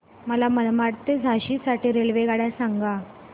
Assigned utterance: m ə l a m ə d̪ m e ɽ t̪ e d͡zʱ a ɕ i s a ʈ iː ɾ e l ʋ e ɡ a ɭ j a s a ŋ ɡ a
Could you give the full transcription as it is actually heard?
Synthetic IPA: m ə l a m ə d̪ m a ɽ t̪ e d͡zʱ a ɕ i s a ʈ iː ɾ e l ʋ e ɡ a ɽ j a s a ŋ ɡ a